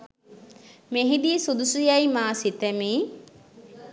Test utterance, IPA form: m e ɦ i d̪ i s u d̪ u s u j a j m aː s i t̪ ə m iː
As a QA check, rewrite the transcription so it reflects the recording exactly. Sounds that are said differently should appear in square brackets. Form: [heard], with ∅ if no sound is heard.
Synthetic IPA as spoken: m e ɦ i d̪ i s u d̪ u s u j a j m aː s i t̪ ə m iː